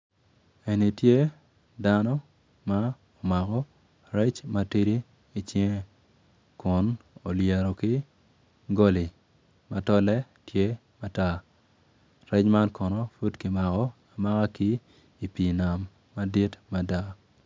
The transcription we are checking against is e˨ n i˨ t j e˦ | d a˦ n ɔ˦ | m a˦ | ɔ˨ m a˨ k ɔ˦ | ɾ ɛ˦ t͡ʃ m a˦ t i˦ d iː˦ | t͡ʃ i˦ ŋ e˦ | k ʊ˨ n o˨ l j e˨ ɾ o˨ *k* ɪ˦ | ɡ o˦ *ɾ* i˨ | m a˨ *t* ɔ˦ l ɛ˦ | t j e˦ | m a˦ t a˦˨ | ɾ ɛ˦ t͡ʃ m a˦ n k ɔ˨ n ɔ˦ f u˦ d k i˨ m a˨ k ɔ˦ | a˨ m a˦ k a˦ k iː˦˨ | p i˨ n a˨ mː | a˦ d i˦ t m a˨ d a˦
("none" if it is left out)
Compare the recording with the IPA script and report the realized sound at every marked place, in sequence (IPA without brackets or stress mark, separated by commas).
k, l, t